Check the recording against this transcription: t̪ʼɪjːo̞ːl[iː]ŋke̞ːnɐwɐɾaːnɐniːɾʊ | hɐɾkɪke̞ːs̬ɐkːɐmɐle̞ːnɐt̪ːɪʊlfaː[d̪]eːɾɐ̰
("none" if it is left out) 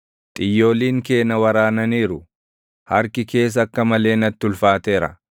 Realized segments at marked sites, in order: iː, t̪

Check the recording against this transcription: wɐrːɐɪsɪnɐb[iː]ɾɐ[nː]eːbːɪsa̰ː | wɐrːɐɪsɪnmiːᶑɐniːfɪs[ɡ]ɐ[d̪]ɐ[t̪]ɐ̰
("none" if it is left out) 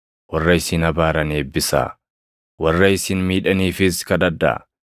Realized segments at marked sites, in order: aː, n, k, d̪, d̪

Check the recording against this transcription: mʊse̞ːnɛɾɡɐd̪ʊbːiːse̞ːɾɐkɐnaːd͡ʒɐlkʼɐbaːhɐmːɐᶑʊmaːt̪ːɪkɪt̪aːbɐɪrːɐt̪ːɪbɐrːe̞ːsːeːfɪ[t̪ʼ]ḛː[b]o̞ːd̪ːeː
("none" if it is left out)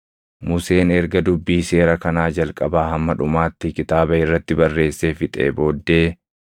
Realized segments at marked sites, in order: t̪ʼ, b

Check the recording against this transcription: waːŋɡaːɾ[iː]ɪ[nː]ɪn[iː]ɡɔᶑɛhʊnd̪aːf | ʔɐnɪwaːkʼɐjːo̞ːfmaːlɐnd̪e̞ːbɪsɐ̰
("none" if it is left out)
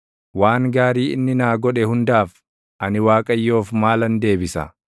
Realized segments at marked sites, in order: iː, nː, aː

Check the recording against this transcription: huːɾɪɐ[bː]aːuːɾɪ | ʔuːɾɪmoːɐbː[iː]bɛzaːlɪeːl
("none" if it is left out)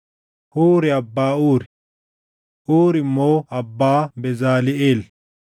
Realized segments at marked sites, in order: bː, aː

